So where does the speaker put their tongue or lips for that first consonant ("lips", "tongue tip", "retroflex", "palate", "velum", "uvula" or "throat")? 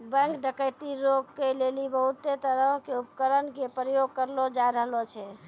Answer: lips